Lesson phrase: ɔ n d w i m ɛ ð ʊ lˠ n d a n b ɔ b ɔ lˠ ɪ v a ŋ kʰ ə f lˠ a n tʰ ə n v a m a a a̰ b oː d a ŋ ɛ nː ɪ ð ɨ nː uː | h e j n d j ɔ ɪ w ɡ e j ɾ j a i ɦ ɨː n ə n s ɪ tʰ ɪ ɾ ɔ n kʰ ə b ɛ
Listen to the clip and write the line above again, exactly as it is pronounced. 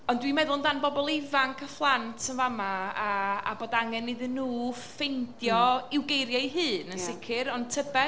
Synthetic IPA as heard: ɔ n d w i m ɛ ð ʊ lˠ n d a n b ɔ b ɔ lˠ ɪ v a ŋ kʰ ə f lˠ a n tʰ ə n v a m a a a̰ b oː d a ŋ ɛ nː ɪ ð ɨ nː uː | f e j n d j ɔ ɪ w ɡ e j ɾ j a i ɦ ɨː n ə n s ɪ kʰ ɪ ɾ ɔ n tʰ ə b ɛ